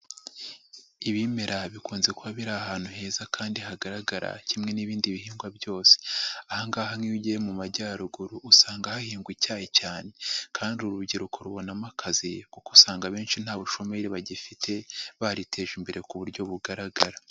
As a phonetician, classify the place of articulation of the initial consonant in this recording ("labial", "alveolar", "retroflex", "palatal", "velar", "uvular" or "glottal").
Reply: labial